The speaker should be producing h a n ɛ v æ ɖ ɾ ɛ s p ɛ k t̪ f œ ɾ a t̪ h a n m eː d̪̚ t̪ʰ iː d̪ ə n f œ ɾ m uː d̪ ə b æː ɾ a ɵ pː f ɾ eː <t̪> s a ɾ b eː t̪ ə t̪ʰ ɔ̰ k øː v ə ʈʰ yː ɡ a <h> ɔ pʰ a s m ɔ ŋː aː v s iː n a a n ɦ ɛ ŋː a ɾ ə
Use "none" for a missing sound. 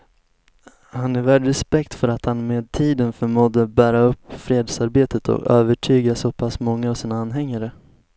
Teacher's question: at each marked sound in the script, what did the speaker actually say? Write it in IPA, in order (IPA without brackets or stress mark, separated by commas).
d̪, s